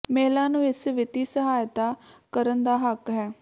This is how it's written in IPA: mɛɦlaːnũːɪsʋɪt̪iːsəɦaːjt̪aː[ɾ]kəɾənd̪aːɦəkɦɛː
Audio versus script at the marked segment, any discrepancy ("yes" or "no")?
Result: yes